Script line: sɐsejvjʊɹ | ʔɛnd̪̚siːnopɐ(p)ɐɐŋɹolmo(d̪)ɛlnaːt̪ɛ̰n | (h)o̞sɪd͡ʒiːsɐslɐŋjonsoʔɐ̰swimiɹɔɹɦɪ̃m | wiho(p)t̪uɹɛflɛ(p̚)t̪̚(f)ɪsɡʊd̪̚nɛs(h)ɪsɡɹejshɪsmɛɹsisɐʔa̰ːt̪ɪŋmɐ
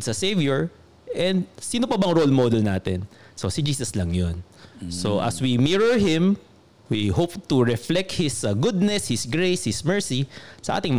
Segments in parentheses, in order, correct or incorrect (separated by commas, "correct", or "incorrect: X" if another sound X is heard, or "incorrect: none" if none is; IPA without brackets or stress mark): incorrect: b, correct, incorrect: s, correct, incorrect: k̚, incorrect: h, correct